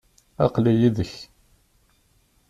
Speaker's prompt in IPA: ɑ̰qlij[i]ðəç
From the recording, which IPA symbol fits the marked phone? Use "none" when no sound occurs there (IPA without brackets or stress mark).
i